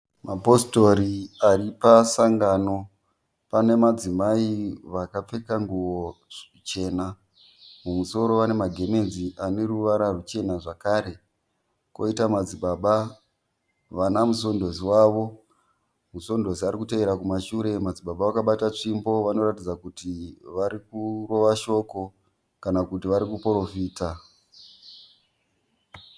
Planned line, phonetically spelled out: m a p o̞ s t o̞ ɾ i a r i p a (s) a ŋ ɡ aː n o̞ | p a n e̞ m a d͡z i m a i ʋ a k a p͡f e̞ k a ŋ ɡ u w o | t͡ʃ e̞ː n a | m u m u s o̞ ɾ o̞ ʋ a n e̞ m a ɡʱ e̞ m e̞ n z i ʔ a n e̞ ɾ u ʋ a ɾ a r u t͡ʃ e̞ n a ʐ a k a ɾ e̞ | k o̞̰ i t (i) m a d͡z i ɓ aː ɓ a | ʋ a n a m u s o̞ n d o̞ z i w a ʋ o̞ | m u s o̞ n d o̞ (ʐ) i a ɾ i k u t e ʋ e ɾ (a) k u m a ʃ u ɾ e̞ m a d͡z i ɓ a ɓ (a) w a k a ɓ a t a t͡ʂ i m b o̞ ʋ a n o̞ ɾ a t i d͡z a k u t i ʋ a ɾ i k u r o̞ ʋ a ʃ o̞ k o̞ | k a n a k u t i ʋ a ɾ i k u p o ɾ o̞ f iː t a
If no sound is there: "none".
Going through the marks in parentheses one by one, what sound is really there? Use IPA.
s, a, z, a, a

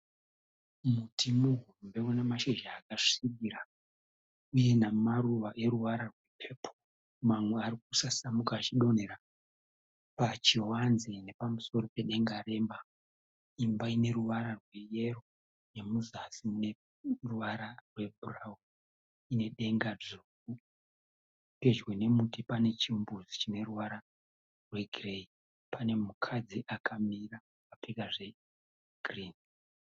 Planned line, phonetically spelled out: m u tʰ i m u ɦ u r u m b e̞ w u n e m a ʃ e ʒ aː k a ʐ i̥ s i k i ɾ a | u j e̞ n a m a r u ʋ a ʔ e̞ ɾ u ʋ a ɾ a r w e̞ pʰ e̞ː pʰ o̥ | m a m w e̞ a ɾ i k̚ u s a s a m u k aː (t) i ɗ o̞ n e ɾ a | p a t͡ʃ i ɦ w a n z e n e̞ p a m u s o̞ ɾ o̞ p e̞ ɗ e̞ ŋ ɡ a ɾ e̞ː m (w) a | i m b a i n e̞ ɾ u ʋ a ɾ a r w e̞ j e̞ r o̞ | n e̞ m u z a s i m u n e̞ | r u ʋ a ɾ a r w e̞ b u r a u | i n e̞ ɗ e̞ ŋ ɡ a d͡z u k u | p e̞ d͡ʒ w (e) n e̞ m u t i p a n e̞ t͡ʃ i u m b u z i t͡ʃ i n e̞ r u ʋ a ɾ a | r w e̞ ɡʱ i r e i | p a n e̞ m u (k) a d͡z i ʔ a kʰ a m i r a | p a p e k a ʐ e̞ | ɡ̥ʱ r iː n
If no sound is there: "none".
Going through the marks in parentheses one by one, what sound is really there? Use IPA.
t͡ʃ, b, e, kʰ

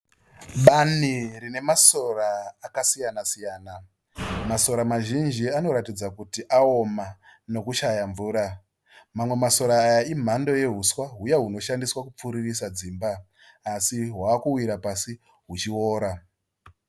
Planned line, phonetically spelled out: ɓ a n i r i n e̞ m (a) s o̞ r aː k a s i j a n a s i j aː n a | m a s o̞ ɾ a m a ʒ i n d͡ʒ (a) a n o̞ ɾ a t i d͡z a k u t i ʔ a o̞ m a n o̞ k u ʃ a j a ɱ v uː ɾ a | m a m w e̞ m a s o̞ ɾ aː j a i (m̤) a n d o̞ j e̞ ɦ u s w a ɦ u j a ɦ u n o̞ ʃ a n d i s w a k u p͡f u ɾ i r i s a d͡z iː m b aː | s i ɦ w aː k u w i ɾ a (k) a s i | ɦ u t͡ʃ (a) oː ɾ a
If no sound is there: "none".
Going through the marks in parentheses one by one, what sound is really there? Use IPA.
a, i, m̤, p, i

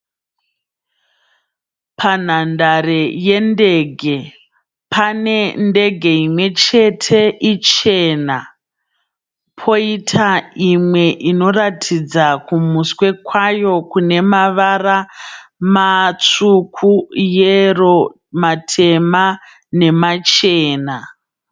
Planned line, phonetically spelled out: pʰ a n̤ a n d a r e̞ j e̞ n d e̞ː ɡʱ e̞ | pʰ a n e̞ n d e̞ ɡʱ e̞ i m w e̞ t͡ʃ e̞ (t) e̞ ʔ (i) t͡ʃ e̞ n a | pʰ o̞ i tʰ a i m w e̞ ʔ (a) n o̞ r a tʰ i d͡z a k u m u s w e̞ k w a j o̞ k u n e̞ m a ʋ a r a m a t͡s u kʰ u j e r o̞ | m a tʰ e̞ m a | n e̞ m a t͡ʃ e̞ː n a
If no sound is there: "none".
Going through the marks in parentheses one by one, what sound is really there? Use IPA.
tʰ, i, i

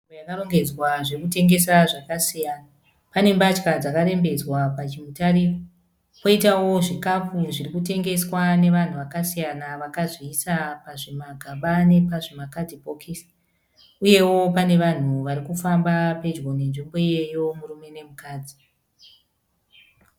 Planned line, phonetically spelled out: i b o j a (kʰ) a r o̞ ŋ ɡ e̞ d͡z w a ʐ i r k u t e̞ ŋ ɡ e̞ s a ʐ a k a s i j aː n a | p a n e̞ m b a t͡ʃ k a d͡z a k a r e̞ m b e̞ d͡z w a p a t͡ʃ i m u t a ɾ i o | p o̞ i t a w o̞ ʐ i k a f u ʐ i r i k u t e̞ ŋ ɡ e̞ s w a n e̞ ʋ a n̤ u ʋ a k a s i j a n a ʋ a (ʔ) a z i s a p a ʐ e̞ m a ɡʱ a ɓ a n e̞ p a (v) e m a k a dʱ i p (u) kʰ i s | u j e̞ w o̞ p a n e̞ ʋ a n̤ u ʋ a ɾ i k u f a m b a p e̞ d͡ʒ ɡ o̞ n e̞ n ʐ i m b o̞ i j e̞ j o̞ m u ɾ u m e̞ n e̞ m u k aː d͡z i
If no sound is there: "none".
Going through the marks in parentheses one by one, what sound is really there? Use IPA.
k, k, ʐ, o

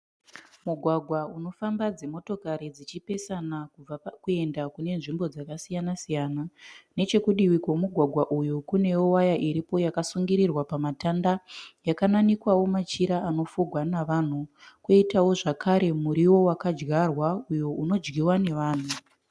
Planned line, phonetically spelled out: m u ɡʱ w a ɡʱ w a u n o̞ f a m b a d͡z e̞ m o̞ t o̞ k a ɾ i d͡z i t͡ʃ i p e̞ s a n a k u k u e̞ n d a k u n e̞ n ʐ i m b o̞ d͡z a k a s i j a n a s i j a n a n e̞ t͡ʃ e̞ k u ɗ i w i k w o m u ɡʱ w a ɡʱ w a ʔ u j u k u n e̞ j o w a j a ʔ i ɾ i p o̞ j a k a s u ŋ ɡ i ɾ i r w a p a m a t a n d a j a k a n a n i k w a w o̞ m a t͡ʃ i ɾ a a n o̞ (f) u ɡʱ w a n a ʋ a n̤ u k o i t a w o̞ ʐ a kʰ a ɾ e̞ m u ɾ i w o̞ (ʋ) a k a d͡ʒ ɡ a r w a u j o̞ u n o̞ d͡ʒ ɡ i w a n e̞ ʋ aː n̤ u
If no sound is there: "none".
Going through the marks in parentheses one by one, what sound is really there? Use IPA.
f, w

